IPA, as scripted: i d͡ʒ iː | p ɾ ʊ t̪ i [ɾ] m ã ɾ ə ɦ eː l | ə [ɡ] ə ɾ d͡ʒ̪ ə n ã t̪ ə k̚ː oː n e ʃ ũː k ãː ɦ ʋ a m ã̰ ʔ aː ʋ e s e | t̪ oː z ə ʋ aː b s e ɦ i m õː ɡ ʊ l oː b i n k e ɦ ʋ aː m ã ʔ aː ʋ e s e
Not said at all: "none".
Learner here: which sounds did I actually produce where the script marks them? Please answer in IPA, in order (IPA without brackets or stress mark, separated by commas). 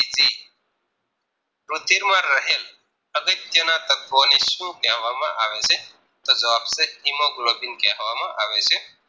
ɾ, ɡ